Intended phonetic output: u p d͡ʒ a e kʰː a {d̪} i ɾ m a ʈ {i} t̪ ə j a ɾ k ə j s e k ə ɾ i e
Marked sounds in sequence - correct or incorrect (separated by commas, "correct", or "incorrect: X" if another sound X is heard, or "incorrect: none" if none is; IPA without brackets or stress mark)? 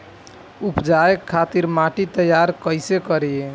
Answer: incorrect: t̪, correct